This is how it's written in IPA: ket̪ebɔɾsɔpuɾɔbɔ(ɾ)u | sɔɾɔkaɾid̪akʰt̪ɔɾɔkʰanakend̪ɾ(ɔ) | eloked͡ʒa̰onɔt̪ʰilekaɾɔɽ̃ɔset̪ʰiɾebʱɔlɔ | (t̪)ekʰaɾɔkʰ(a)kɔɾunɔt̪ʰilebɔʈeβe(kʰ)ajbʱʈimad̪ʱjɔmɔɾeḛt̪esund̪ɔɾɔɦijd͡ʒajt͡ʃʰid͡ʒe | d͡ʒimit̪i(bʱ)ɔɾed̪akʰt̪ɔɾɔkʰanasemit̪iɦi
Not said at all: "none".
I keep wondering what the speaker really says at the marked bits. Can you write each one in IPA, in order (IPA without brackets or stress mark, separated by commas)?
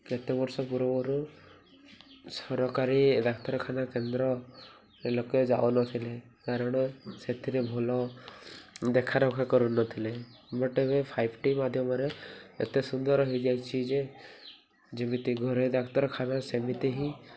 ɾ, ɔ, d̪, a, pʰ, ɡʱ